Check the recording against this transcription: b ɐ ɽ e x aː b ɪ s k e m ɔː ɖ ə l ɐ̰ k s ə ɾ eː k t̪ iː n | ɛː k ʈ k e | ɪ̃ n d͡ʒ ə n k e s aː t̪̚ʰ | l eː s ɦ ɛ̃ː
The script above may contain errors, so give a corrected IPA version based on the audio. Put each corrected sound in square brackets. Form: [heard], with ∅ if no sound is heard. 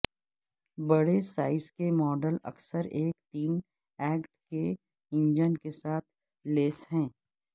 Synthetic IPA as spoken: b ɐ ɽ e [s] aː [∅] ɪ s k e m ɔː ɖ ə l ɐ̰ k s ə ɾ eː k t̪ iː n | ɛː k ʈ k e | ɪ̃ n d͡ʒ ə n k e s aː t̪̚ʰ | l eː s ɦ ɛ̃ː